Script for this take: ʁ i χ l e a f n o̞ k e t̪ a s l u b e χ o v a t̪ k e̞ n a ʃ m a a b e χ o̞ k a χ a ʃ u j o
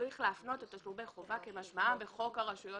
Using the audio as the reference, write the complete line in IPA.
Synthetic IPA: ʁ i χ l e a f n o̞ t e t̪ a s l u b e χ o v a k e̞ m a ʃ m a a b e χ o̞ k a ʁ a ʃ u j o